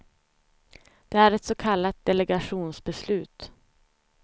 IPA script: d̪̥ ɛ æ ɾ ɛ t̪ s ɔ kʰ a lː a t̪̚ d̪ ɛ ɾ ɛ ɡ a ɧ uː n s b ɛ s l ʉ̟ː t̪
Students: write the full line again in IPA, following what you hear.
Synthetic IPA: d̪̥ ɛ æ ɾ ɛ t̪ s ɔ kʰ a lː a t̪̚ d̪ ɛ l ɛ ɡ a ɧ uː n s b ɛ s l ʉ̟ː t̪

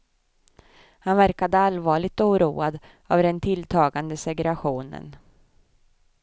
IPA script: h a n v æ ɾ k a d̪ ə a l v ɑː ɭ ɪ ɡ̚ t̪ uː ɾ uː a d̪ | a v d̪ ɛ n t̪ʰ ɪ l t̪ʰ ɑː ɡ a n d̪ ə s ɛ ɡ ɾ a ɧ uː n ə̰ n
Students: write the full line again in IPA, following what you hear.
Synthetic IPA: h a n v æ ɾ k a d̪ ə a l v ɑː ɭ ɪ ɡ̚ t̪ uː ɾ uː a d̪ | a v d̪ ɛ n t̪ʰ ɪ l t̪ʰ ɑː ɡ a n d̪ ə s ɛ ɡ ɾ a ɧ uː n ə̰ n

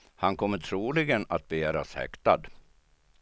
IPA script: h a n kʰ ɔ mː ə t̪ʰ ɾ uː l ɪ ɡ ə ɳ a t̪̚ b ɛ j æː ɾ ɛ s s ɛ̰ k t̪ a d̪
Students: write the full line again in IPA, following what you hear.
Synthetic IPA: h a n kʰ ɔ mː ə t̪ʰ ɾ uː l ɪ ɡ ə n a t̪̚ b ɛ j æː ɾ a s h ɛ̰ k t̪ a d̪

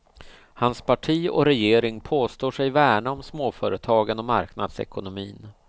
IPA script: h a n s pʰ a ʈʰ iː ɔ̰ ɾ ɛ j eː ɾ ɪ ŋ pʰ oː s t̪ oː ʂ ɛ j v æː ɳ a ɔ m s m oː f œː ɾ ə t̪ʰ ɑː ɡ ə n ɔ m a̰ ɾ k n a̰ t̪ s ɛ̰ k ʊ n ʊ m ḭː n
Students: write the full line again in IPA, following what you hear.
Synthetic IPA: h a n s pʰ a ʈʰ iː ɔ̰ ɾ ɛ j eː ɾ ɪ ŋ pʰ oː s t̪ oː ʂ ɛ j v æː ɳ a ɔ m s m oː f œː ɾ ə t̪ʰ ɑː ɡ ə n ɔ m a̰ ɾ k n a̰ d̪ s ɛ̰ k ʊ n ʊ m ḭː n

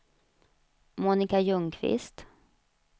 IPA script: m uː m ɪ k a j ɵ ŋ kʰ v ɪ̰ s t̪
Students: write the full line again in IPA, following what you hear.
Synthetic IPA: m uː n ɪ k a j ɵ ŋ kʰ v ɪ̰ s t̪

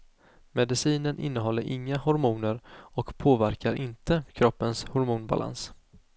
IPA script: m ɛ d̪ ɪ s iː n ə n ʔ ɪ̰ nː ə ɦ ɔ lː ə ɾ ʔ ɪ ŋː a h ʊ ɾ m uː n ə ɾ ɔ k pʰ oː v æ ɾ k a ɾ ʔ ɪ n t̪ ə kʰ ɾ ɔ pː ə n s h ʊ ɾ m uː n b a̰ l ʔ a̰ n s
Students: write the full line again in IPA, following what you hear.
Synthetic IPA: m ɛ d̪ ɪ s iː n ə n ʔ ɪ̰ nː ə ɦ ɔ lː ə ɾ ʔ ɪ ŋː a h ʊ ɾ m uː n ə ɾ ɔ k pʰ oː v æ ɾ k a ɾ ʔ ɪ n t̪ ə kʰ ɾ ɔ pː ə n s h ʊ ɾ m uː n b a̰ l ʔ a̰ n s

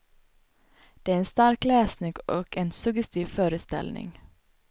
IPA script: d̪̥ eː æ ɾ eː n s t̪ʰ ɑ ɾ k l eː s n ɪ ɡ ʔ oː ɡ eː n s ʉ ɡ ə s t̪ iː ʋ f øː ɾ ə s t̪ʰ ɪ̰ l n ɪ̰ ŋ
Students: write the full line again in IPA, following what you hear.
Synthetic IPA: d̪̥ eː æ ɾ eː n s t̪ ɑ ɾ k l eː s n ɪ ɡ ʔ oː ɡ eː n s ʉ ɡ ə s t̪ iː ʋ f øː ɾ ə s t̪ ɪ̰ l n ɪ̰ ŋ

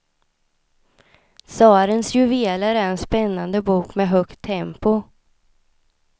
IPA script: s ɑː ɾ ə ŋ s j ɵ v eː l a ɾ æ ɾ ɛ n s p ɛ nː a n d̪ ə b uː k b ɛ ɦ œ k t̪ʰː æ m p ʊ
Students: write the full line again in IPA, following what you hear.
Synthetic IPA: s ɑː ɾ ə n s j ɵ v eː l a ɾ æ ɾ ɛ n s p ɛ nː a n d̪ ə b uː k m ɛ ɦ œ k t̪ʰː ɛ m p ʊ

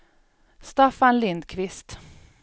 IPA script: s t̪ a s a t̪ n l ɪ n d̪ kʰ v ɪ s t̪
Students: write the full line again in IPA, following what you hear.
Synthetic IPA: s t̪ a f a n l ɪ n d̪ kʰ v ɪ s t̪

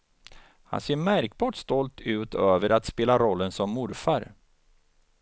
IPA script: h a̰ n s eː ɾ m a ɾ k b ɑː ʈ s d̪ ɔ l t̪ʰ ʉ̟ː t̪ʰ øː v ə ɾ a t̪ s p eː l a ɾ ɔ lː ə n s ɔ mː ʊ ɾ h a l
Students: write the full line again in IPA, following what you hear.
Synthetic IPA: h a̰ n s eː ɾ m æ ɾ k b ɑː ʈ s t̪ ɔ l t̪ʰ ʉ̟ː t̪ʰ øː v ə ɾ a t̪ s p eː l a ɾ ɔ lː ə n s ɔ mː ʊ ɾ f a ɾ

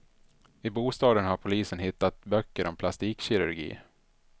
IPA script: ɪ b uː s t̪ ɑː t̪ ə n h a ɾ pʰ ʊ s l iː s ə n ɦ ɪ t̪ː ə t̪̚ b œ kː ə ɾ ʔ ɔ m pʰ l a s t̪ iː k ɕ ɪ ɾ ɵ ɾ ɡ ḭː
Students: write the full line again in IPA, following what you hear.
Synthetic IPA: ɪ b uː s t̪ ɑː d̪ ə n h a ɾ pʰ ʊ l iː s ə n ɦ ɪ t̪ː a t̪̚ b œ kː ə ɾ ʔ ɔ m pʰ l a s t̪ iː k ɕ ɪ ɾ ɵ ɾ ɡ ḭː

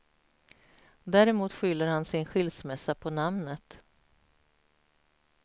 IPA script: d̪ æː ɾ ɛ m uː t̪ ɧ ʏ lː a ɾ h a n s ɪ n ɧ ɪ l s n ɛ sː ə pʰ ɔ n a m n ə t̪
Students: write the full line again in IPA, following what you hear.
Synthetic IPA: d̪ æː ɾ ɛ m uː t̪ ɧ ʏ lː ə ɾ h a n s ɪ n ɧ ɪ l s m ɛ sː a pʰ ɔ n a m n ə t̪

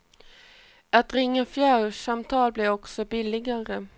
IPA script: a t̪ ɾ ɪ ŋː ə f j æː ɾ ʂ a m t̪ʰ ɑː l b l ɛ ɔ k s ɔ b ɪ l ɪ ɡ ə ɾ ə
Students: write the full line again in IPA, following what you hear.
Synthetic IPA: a t̪ ɾ ɪ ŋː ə f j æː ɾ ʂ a m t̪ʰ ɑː l b l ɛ ɔ k s ɔ b ɪ l ɪ ɡ a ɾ ə

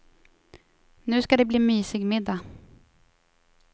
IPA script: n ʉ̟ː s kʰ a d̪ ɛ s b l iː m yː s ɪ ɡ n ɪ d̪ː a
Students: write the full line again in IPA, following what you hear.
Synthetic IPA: n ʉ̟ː s k a d̪ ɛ b l iː m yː s ɪ ɡ m ɪ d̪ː a

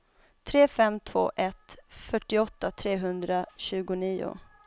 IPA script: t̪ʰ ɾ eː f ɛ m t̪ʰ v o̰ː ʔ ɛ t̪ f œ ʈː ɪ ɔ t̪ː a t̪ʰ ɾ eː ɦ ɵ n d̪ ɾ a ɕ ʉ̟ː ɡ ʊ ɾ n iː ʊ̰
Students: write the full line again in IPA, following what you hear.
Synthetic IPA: t̪ʰ ɾ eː f ɛ m t̪ʰ v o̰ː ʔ ɛ t̪ f œ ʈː ɪ ɔ t̪ː a t̪ʰ ɾ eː ɦ ɵ n d̪ ɾ a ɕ ʉ̟ː ɡ ʊ n iː ʊ̰

